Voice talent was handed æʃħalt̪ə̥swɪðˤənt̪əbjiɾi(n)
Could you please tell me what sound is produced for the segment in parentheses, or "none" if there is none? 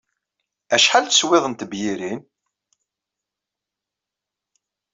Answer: n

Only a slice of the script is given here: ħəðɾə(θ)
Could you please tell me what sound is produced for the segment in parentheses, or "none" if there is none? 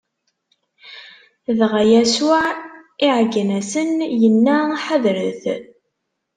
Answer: θ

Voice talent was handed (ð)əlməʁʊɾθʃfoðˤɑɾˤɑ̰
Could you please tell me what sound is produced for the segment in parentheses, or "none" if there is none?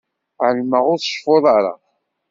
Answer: ʕ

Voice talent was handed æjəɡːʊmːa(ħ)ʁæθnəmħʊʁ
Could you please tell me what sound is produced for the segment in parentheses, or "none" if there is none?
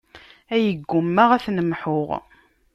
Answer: none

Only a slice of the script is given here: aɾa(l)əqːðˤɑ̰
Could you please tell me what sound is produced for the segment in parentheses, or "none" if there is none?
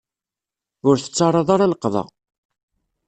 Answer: l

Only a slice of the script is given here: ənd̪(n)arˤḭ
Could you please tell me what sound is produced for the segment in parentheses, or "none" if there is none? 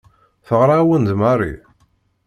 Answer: m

